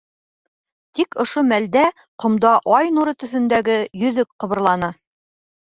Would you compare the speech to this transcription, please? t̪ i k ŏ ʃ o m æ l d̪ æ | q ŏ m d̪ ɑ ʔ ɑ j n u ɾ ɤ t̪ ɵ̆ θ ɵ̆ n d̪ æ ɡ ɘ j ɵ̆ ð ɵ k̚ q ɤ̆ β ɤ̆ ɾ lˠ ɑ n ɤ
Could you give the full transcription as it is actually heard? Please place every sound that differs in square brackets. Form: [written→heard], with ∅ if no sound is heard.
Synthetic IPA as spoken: t̪ i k ŏ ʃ o m æ l d̪ æ | q ŏ m d̪ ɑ ʔ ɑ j n u ɾ ɤ t̪ ɵ̆ θ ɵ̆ n d̪ æ ɡ ɘ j ɵ̆ ð ɵ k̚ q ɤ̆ β ɤ̆ ɾ lˠ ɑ n ɤ